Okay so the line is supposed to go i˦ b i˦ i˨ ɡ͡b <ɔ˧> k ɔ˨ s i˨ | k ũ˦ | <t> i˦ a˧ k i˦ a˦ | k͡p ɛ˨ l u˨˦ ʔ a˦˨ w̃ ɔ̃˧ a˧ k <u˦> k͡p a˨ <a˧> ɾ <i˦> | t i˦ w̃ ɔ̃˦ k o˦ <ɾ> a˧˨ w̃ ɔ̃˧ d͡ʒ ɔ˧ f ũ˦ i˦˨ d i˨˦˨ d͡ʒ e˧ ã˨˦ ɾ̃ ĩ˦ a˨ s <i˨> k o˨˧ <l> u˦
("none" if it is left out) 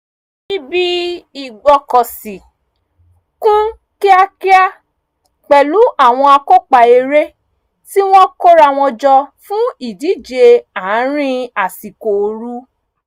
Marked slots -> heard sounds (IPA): ɔ˧, k, o˦, e˧, e˦, ɾ, i˨, ɾ

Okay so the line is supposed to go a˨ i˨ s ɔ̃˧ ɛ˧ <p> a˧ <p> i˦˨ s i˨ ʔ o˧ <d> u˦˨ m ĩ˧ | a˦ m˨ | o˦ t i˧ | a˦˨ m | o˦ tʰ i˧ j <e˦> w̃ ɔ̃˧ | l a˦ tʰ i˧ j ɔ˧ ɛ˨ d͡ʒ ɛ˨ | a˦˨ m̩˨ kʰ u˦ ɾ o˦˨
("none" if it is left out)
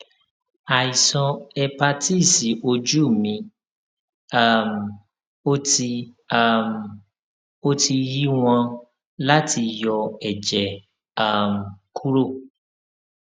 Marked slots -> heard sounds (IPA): p, t, d͡ʒ, i˦

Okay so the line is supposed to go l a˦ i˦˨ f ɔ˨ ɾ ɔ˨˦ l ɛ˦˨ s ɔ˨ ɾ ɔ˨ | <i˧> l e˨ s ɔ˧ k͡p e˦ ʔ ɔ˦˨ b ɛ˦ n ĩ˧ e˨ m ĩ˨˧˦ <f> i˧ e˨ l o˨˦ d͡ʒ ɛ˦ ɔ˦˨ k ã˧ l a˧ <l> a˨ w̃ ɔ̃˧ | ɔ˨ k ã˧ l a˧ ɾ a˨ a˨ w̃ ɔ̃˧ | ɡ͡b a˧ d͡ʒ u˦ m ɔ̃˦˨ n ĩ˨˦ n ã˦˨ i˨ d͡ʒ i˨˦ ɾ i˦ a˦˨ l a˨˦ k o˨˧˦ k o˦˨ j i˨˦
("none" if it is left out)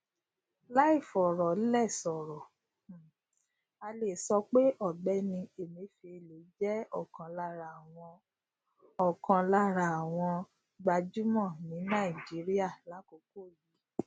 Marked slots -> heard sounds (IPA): a˧, f, ɾ

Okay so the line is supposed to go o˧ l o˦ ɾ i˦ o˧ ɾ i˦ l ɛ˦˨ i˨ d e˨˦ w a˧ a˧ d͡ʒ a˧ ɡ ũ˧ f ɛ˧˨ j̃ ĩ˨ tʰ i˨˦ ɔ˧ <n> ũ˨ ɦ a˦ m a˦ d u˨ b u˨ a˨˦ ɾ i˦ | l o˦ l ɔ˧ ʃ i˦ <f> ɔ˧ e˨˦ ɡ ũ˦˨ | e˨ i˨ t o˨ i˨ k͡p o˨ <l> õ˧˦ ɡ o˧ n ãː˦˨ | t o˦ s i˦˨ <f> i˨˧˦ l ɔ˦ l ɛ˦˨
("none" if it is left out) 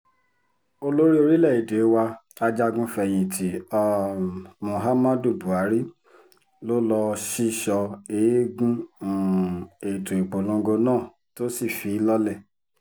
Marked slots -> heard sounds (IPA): m, ʃ, l, f

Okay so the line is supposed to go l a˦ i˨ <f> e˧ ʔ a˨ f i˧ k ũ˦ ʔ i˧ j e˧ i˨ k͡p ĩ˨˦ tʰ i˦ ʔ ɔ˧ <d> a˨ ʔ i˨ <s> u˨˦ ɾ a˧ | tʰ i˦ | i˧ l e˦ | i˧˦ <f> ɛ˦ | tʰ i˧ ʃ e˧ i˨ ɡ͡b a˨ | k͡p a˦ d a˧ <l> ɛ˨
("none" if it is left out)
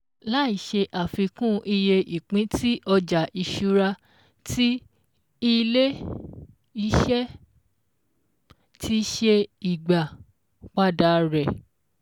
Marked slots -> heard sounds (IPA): ʃ, d͡ʒ, ʃ, ʃ, ɾ

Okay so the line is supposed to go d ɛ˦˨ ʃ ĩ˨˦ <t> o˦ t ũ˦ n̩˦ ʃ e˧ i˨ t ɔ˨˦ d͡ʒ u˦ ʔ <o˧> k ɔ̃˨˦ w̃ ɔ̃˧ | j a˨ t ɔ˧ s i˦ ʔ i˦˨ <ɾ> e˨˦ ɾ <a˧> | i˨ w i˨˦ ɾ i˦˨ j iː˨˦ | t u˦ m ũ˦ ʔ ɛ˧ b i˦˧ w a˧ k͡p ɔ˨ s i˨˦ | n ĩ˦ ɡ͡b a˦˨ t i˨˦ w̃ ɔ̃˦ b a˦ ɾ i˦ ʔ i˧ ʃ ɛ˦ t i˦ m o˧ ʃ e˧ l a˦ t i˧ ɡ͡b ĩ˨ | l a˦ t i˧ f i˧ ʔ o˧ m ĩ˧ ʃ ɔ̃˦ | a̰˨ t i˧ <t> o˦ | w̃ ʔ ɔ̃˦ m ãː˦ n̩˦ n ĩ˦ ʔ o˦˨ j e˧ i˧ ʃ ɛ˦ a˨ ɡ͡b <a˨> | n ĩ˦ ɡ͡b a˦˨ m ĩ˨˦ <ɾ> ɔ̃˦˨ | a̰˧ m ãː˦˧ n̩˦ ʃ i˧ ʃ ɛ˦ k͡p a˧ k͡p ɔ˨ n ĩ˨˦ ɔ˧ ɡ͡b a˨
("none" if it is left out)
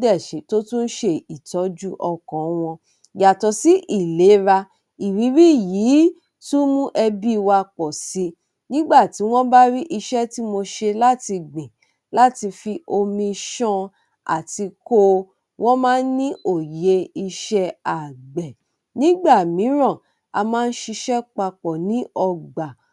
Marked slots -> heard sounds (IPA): t, ɔ˧, l, a˧, k, ɛ˨, ɾ

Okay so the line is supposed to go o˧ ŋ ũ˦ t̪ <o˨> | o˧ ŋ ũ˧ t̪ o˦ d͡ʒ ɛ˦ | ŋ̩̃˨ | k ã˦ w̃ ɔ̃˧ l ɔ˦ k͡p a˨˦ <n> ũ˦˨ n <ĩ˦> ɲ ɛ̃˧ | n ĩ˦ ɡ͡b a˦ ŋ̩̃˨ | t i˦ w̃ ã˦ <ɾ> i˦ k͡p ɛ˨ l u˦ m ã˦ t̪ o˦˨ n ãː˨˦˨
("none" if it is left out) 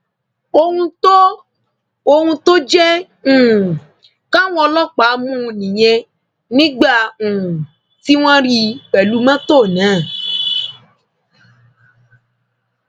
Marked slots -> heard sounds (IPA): o˦, m, ĩ˨, ɾ

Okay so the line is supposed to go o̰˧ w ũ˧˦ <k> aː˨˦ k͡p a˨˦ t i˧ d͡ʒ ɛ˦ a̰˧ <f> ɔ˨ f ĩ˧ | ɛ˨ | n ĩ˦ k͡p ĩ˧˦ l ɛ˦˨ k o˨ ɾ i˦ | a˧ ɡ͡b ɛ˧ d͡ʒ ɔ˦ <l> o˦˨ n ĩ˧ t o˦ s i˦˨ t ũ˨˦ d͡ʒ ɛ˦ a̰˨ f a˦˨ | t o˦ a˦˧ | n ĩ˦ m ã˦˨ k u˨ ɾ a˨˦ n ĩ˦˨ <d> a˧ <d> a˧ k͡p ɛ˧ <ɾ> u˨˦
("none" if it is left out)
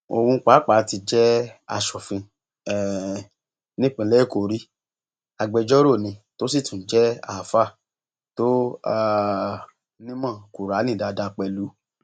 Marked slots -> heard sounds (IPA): k͡p, ʃ, ɾ, d, d, l

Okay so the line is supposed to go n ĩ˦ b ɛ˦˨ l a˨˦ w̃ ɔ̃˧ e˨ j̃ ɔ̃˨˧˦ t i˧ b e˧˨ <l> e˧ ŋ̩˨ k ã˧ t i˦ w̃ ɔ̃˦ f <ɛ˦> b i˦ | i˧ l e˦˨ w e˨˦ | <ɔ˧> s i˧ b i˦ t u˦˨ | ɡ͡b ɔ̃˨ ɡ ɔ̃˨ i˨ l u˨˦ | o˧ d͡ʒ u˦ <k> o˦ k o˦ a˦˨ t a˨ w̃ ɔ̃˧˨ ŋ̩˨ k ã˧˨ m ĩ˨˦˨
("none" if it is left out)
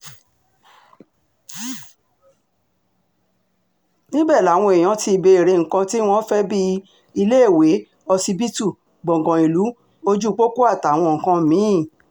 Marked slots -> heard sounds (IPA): ɾ, ɛ˦, ɔ˧, k͡p

